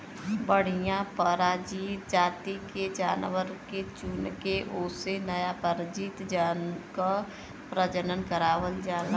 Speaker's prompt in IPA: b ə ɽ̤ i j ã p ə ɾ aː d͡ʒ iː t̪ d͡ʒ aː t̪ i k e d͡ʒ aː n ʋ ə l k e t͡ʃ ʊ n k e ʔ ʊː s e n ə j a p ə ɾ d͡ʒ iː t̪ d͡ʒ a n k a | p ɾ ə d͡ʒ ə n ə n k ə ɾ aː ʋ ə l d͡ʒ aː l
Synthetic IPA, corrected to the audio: b ə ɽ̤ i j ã p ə ɾ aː d͡ʒ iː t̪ d͡ʒ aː t̪ i k e d͡ʒ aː n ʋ ə ɾ k e t͡ʃ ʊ n k e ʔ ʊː s e n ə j a p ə ɾ d͡ʒ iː t̪ d͡ʒ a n k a | p ɾ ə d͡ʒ ə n ə n k ə ɾ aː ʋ ə l d͡ʒ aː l

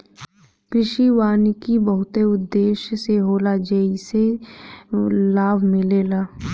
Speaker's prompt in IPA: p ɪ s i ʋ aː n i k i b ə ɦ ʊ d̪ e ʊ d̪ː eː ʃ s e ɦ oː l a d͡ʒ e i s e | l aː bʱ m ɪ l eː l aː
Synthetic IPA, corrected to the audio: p ɪ ʃ i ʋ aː n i k i b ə ɦ ʊ t̪ e ʊ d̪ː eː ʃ s e ɦ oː l a d͡ʒ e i s e | l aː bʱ m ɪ l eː l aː

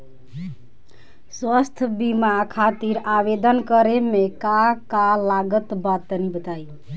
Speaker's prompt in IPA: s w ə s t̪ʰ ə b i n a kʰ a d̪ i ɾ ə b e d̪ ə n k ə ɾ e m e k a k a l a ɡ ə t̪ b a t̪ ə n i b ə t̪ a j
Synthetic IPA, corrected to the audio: s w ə s t̪ʰ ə b i m a kʰ a t̪ i ɾ a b e d̪ ə n k ə ɾ e m e k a k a l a ɡ ə t̪ b a t̪ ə n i b ə t̪ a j

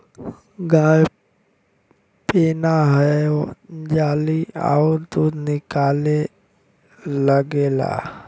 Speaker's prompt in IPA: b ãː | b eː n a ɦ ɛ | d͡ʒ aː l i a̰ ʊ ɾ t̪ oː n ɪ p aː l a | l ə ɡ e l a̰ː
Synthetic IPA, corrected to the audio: ɡ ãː | p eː n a ɦ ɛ | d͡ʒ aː l i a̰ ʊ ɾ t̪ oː n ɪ k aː l e | l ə ɡ e l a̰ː

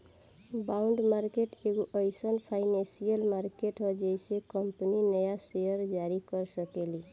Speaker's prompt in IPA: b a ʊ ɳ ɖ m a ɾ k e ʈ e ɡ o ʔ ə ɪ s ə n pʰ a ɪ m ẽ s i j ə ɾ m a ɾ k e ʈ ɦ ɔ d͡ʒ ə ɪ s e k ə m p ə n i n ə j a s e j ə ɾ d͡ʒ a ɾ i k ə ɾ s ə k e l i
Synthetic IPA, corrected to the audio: b a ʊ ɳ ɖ m a ɾ k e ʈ e ɡ o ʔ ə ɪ s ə n pʰ a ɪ n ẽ s i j ə l m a ɾ k e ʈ ɦ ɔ d͡ʒ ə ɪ s e k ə m p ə n i n ə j a s e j ə ɾ d͡ʒ a ɾ i k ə ɾ s ə k e l i

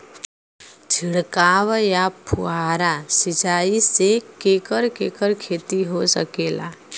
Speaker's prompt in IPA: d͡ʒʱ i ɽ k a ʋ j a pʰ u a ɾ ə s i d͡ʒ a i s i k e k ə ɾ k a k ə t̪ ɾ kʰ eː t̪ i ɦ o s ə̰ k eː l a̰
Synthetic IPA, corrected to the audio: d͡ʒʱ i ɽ k a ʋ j a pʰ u a ɾ a s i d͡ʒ a i s e k e k ə ɾ k e k ə ɾ kʰ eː t̪ i ɦ o s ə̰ k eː l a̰

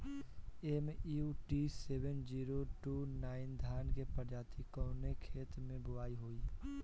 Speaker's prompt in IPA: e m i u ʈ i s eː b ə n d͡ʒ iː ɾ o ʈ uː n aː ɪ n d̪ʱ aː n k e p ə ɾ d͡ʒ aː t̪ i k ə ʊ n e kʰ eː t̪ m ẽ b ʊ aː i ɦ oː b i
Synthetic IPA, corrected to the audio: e m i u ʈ i s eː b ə n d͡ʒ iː ɾ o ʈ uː n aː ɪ n d̪ʱ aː n k e p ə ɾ d͡ʒ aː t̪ i k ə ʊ n e kʰ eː t̪ m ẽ b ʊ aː i ɦ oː i

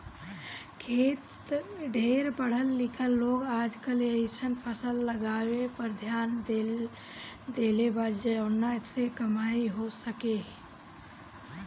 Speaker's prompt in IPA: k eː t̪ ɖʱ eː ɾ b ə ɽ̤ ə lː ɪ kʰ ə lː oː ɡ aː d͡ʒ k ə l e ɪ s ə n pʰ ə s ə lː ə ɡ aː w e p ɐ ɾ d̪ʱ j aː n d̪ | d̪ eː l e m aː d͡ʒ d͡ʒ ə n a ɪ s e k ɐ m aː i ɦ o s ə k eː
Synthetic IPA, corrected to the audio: kʰ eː t̪ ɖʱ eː ɾ b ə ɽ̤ ə lː ɪ kʰ ə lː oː ɡ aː d͡ʒ k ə l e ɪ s ə n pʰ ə s ə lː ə ɡ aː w e p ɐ ɾ d̪ʱ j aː n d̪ | d̪ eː l e b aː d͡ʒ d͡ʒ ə n a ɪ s e k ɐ m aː i ɦ o s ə k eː

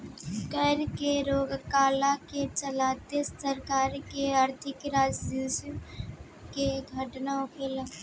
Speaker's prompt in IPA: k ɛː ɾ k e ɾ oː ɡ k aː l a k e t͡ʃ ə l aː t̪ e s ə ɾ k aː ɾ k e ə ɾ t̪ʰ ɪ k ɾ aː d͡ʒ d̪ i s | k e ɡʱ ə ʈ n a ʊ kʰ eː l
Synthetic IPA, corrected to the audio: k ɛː ɾ k e ɾ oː ɡ k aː l a k e t͡ʃ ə l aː t̪ e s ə ɾ k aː ɾ k e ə ɾ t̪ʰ ɪ k ɾ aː d͡ʒ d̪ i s | k e ɡʱ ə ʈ n a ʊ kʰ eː l

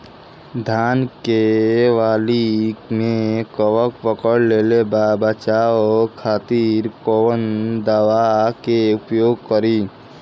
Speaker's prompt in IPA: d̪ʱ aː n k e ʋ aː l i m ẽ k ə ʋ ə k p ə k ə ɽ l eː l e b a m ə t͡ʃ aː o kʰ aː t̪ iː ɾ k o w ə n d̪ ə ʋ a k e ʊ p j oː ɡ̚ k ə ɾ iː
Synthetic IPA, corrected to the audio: d̪ʱ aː n k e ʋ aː l i m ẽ k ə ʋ ə k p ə k ə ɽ l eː l e b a b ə t͡ʃ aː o kʰ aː t̪ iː ɾ k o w ə n d̪ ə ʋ a k e ʊ p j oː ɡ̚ k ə ɾ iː

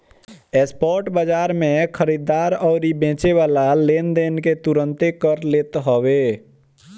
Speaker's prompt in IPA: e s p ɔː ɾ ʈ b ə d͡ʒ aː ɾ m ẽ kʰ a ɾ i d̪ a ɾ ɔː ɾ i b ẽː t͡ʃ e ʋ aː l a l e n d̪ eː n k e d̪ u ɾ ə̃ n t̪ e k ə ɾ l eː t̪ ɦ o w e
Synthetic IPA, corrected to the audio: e s p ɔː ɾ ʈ b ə d͡ʒ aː ɾ m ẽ kʰ ə ɾ i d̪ a ɾ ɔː ɾ i b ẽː t͡ʃ e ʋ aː l a l e n d̪ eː n k e t̪ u ɾ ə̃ n t̪ e k ə ɾ l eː t̪ ɦ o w e

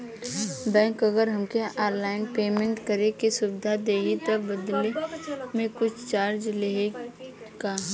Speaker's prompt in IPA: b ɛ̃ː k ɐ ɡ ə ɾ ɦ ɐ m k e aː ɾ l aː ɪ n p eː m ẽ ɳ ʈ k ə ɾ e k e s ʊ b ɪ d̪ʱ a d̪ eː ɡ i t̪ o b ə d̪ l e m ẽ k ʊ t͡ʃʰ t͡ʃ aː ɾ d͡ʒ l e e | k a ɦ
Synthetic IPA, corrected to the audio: b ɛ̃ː k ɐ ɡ ə ɾ ɦ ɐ m k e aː ɾ l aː ɪ n p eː m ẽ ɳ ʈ k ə ɾ e k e s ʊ b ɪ d̪ʱ a d̪ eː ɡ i t̪ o b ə d̪ l e m ẽ k ʊ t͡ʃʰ t͡ʃ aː ɾ d͡ʒ l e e | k a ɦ

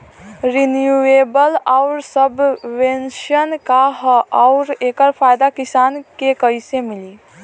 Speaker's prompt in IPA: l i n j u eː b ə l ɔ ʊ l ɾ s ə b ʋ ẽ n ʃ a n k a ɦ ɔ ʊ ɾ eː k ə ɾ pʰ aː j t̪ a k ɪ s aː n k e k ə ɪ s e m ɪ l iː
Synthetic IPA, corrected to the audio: ɾ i n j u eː b ə l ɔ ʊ ɾ s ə b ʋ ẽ n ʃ ə n k a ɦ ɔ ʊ ɾ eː k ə ɾ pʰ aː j d̪ a k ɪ s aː n k e k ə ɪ s e m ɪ l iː

